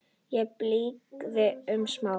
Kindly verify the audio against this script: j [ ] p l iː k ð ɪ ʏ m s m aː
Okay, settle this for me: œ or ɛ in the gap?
ɛ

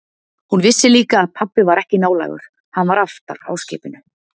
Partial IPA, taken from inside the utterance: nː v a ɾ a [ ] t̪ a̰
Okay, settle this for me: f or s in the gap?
f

